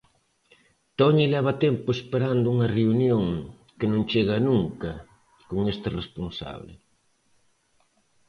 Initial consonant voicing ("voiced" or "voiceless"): voiceless